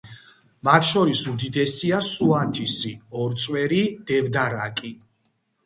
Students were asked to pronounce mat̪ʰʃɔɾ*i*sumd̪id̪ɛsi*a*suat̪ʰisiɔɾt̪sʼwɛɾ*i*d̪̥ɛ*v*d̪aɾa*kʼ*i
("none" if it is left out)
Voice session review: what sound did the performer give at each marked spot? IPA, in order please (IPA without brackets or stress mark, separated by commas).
i, a, i, v, kʼ